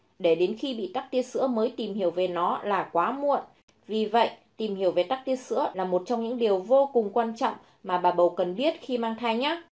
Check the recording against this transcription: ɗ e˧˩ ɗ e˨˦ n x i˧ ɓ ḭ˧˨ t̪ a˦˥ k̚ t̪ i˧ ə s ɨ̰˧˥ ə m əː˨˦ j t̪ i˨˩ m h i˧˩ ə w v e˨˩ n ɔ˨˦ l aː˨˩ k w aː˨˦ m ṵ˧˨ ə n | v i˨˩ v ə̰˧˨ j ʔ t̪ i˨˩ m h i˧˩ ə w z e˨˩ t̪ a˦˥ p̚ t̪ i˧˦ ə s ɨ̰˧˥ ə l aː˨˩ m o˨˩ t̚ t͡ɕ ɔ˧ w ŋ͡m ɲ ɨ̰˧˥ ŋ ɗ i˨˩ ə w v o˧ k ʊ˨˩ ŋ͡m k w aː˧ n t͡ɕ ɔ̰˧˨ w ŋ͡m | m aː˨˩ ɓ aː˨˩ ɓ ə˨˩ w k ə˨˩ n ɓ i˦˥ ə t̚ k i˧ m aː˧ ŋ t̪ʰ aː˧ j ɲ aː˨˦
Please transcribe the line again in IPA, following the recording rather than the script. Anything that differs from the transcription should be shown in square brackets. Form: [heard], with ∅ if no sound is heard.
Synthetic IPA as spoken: ɗ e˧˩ ɗ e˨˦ n x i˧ ɓ ḭ˧˨ t̪ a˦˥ k̚ t̪ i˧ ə s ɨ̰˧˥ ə m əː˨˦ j t̪ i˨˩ m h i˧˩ ə w v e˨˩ n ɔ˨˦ l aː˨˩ k w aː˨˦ m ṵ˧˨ ə n | v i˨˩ v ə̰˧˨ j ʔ t̪ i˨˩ m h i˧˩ ə w [v] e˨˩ t̪ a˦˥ [k̚] t̪ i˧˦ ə s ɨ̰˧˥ ə l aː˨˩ m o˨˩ t̚ t͡ɕ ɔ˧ w ŋ͡m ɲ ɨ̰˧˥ ŋ ɗ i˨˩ ə w v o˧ k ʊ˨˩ ŋ͡m k w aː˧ n t͡ɕ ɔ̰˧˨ w ŋ͡m | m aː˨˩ ɓ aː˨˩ ɓ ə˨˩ w k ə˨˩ n ɓ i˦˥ ə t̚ [x] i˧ m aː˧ ŋ t̪ʰ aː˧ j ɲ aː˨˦